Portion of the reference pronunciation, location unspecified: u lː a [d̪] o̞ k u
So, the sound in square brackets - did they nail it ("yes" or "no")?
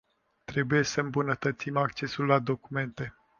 yes